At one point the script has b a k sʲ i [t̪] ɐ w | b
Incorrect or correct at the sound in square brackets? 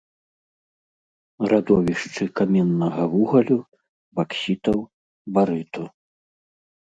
correct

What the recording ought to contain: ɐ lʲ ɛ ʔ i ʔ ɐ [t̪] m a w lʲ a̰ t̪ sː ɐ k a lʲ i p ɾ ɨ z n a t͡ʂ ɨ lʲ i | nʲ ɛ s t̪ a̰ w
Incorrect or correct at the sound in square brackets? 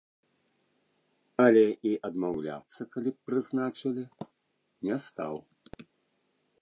incorrect: d̪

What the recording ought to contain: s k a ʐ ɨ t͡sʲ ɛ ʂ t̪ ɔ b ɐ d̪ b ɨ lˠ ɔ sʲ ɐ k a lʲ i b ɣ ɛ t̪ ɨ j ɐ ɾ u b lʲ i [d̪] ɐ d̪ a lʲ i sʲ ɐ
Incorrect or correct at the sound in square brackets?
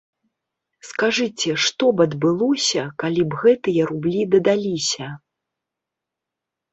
correct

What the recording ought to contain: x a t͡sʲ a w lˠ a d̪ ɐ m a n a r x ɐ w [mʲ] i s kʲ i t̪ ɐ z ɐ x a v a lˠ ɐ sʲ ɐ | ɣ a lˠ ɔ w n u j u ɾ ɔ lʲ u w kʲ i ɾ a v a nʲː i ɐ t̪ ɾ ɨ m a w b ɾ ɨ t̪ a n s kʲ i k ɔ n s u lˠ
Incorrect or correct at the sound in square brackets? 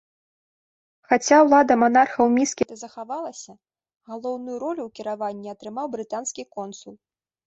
correct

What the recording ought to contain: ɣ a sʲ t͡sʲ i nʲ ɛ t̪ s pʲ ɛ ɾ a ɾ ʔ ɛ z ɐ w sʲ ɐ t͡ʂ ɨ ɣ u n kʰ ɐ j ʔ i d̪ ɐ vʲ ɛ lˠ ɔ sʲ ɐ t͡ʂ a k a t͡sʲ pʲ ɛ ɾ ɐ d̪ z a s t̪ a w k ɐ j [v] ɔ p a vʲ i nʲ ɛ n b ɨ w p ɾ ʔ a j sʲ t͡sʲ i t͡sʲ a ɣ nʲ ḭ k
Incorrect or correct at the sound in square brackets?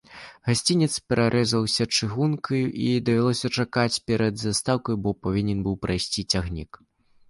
incorrect: b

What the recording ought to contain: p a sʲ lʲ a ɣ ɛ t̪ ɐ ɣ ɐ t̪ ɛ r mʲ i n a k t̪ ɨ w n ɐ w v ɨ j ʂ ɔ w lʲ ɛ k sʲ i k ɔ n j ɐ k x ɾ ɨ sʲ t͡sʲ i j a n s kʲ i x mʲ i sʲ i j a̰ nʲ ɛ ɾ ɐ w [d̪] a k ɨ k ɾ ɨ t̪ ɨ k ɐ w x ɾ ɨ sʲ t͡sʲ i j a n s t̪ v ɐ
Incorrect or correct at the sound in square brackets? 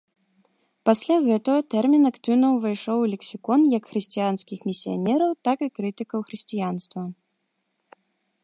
incorrect: t̪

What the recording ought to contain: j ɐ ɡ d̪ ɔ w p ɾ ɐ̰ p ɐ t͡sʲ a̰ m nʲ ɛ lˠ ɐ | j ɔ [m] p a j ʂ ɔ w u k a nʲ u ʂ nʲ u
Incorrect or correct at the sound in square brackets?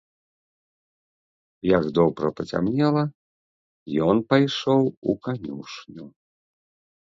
incorrect: n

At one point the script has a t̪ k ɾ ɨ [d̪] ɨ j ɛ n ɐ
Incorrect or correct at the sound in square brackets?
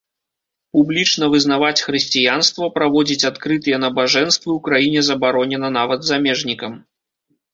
incorrect: t̪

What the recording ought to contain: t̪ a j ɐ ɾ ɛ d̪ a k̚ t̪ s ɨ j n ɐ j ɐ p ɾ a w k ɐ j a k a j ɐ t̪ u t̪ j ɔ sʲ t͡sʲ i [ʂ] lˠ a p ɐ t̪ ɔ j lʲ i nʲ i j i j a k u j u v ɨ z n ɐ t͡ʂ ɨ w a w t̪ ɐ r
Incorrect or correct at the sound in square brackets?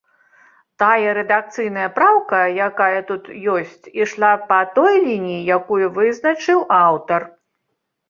correct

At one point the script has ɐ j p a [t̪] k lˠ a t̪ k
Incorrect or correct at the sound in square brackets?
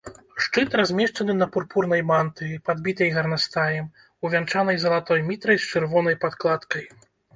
correct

